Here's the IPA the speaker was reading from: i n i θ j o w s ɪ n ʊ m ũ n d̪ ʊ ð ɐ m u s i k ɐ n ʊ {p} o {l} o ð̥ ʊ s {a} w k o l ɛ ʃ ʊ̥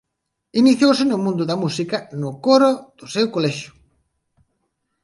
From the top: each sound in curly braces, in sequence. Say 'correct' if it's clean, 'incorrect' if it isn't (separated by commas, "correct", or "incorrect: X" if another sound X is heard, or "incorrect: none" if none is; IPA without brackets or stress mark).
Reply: incorrect: k, incorrect: ɾ, incorrect: e